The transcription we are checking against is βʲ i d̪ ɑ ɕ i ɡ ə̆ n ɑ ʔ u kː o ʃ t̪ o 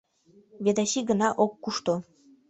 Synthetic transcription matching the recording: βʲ e d̪ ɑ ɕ i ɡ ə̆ n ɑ ʔ o kː u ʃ t̪ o